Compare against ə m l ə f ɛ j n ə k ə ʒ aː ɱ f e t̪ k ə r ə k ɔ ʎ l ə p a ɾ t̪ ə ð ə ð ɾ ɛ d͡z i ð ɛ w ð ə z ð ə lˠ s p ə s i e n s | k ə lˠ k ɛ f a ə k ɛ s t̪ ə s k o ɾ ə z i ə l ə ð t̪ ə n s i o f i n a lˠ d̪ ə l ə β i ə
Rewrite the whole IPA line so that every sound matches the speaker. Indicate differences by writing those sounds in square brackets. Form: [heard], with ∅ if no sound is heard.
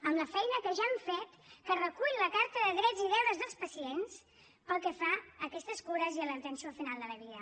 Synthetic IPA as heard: ə m l ə f ɛ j n ə k ə ʒ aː ɱ f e t̪ k ə r ə k [u] ʎ l ə [k] a ɾ t̪ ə ð ə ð ɾ ɛ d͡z i ð ɛ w ð ə z ð ə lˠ s p ə s i e n s | [p] ə lˠ k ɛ f a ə k ɛ s t̪ ə s k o ɾ ə z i ə l ə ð t̪ ə n s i o f i n a lˠ d̪ ə l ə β i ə

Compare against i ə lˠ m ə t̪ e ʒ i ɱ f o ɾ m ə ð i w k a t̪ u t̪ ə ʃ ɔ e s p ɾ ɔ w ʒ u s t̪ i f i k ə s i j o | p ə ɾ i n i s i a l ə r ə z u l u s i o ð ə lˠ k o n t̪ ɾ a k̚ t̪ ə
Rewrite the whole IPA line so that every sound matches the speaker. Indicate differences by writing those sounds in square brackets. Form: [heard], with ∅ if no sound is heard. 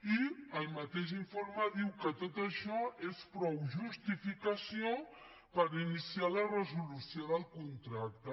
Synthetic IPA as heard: i ə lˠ m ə t̪ e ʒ i ɱ f o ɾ m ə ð i w k [ə] t̪ [o] t̪ ə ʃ ɔ e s p ɾ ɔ w ʒ u s t̪ i f i k ə s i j o | p ə ɾ i n i s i a l ə r ə z u l u s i o ð ə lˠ k [u] n t̪ ɾ a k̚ t̪ ə

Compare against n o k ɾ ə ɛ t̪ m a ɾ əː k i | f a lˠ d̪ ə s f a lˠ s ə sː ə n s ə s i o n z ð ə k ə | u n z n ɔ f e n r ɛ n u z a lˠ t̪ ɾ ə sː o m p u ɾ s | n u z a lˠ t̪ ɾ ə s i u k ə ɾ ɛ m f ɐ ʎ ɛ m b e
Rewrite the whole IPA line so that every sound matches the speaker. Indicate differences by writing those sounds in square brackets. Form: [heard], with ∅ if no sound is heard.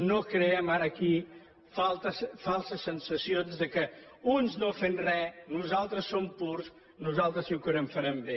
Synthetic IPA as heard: n o k ɾ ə ɛ [∅] m a ɾ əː k i | f a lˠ [t̪] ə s f a lˠ s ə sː ə n s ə s i o n z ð ə k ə | u n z n [o] f e n r ɛ n u z a lˠ t̪ ɾ ə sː o m p u ɾ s | n u z a lˠ t̪ ɾ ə s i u k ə ɾ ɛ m f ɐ [ɾ] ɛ m b e

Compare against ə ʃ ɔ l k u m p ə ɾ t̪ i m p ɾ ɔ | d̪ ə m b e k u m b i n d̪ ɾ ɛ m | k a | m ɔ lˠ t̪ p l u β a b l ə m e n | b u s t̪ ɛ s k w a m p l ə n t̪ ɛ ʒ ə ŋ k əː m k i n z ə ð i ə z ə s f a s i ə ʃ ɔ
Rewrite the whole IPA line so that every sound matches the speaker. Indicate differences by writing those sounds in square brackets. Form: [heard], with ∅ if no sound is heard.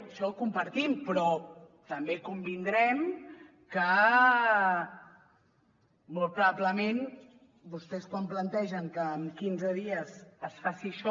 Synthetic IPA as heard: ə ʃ ɔ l k u m p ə ɾ t̪ i m p ɾ ɔ | [t̪] ə m b e k u m b i n d̪ ɾ ɛ m | k [ə] | m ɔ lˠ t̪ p [ɾ] u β a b l ə m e n | b u s t̪ ɛ s k w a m p l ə n t̪ ɛ ʒ ə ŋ k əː m k i n z ə ð i ə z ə s f a s i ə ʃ ɔ

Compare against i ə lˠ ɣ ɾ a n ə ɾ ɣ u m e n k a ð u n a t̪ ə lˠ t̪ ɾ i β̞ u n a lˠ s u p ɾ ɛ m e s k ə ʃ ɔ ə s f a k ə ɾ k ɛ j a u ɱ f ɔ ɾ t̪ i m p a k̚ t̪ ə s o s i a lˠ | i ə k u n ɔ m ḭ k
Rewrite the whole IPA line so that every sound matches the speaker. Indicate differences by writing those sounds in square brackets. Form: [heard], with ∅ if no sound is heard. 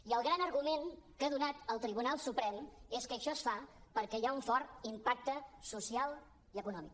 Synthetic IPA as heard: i ə lˠ ɣ ɾ a n ə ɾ ɣ u m e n k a ð u n a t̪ ə lˠ t̪ ɾ i β̞ u n a lˠ s u p ɾ ɛ m e s k ə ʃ ɔ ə s f a [p] ə ɾ k ɛ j a u ɱ f ɔ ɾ t̪ i m p a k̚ t̪ ə s [u] s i a lˠ | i ə k u n ɔ m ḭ k

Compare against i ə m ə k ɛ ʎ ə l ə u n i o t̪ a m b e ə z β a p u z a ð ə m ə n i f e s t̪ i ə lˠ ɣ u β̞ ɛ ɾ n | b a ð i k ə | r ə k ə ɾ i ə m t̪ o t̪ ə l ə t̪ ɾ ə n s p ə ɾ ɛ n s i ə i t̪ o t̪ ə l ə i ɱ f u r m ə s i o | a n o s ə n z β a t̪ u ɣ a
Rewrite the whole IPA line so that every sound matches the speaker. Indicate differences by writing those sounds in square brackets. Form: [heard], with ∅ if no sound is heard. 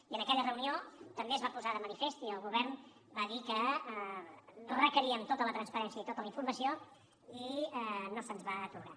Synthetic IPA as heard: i ə [n] ə k ɛ ʎ ə [r] ə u n i o t̪ [ə] m b e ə z β a p u z a ð ə m ə n i f e s t̪ i ə lˠ ɣ u β̞ ɛ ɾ n | b a ð i k ə | r ə k ə ɾ i ə m t̪ o t̪ ə l ə t̪ ɾ ə n s p ə ɾ ɛ n s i ə i t̪ o t̪ ə l ə i ɱ f u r m ə s i o | [i] n o s ə n z β a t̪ u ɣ a

